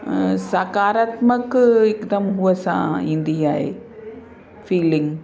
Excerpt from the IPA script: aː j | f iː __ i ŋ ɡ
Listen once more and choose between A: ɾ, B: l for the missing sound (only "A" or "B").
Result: B